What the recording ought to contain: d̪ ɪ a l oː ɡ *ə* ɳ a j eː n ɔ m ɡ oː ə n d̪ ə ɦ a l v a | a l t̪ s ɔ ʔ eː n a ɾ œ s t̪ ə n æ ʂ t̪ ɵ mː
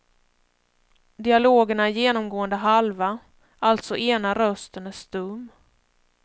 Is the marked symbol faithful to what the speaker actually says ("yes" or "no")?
yes